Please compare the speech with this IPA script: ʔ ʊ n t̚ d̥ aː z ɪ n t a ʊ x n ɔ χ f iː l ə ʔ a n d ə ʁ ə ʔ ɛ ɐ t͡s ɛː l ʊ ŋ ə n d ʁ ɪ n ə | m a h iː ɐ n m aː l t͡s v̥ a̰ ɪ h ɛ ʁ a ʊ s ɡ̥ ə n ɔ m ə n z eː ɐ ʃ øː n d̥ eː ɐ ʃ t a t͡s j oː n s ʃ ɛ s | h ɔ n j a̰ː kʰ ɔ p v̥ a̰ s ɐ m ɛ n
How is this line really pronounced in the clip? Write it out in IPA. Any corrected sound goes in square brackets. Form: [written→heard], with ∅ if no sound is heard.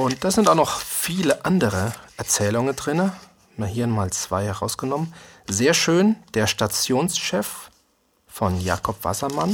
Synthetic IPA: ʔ ʊ n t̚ d̥ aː z ɪ n t a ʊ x n ɔ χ f iː l ə ʔ a n d ə ʁ ə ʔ ɛ ɐ t͡s ɛː l ʊ ŋ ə n d ʁ ɪ n ə | m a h iː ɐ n m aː l t͡s v̥ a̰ ɪ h ɛ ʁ a ʊ s ɡ̥ ə n ɔ m ə n z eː ɐ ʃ øː n d̥ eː ɐ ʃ t a t͡s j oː n s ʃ ɛ [s→f] | [h→f] ɔ n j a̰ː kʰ ɔ p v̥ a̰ s ɐ m [ɛ→a] n